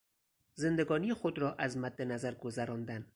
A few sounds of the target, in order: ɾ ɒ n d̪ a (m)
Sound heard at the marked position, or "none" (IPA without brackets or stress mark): n